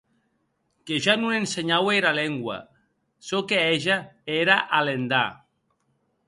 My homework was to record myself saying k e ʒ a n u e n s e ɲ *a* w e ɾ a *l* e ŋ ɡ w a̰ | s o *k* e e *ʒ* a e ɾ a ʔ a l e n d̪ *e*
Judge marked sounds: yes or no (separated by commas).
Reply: yes, yes, yes, yes, no